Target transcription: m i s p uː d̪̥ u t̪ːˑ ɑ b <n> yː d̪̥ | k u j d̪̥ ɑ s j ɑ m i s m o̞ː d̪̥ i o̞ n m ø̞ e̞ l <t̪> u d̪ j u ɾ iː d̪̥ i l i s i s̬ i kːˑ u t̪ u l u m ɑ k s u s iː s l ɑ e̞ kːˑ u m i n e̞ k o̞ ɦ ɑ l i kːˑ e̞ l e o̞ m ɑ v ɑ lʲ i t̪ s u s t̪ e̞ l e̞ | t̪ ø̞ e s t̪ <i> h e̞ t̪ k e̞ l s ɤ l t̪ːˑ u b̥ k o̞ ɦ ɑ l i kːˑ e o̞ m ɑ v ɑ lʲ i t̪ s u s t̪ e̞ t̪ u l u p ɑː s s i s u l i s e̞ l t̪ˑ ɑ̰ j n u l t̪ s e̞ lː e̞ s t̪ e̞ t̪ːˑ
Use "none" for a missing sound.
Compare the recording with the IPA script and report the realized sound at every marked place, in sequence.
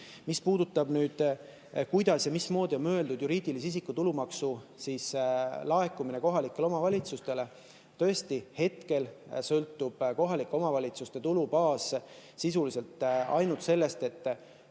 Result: n, d̪, i

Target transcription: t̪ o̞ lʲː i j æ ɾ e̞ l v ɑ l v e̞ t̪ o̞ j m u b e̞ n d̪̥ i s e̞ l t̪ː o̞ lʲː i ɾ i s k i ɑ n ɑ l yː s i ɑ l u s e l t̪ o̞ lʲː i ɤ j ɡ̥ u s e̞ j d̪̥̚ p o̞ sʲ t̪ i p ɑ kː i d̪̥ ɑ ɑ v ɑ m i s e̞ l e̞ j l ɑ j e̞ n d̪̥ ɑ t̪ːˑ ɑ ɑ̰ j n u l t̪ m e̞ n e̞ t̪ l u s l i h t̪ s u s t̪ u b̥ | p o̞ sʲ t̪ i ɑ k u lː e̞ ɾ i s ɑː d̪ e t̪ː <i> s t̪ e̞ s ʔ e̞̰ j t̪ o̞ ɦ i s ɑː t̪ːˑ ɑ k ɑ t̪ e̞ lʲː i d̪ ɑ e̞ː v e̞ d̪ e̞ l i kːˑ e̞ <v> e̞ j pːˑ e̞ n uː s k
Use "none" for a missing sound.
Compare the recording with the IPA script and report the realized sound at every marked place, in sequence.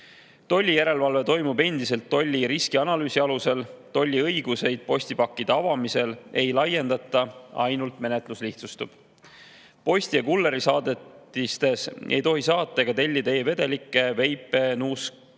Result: i, v

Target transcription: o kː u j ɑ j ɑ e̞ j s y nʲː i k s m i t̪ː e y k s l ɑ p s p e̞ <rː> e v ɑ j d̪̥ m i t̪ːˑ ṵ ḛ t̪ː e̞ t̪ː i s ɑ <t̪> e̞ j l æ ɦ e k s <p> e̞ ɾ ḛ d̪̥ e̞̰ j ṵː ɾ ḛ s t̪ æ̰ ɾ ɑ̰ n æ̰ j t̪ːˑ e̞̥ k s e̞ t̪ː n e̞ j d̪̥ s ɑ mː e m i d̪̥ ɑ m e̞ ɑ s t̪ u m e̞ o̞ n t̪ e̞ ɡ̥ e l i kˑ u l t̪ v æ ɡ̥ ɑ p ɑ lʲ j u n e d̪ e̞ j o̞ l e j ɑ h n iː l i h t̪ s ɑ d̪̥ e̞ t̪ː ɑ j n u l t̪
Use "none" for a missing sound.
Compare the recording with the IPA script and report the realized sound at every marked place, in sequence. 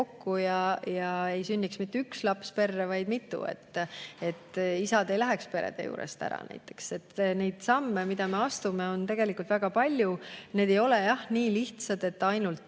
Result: rː, d̪, p

